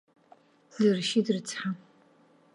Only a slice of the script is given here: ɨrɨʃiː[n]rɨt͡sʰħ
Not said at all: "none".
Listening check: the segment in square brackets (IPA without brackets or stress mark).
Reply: d